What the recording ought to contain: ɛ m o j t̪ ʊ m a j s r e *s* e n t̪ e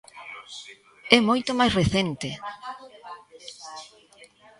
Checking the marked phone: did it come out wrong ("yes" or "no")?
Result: yes